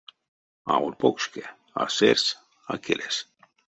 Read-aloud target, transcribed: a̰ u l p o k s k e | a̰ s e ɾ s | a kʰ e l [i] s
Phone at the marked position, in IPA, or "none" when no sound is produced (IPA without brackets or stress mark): e